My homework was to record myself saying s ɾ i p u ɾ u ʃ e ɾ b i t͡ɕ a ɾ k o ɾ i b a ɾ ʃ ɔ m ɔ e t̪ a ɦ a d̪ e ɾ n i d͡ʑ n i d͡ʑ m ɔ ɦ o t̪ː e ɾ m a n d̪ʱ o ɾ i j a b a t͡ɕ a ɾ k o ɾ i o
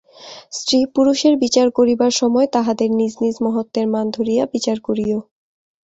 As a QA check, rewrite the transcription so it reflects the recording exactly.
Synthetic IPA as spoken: s ɾ i p u ɾ u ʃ e ɾ b i t͡ɕ a ɾ k o ɾ i b a ɾ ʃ ɔ m ɔ e t̪ a ɦ a d̪ e ɾ n i d͡ʑ n i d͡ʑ m ɔ ɦ o t̪ː e ɾ m a n d̪ʱ o ɾ i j a b i t͡ɕ a ɾ k o ɾ i o